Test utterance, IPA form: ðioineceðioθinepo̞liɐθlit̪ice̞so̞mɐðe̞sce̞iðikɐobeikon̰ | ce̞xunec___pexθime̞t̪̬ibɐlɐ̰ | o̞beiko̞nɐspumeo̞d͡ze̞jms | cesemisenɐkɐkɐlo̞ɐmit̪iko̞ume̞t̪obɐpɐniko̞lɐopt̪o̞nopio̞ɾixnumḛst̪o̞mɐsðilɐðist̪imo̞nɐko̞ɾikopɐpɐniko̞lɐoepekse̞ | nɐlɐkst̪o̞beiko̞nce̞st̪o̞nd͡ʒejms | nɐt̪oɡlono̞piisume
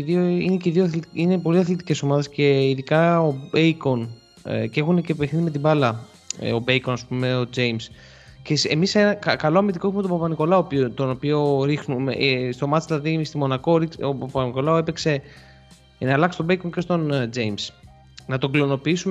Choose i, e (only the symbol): e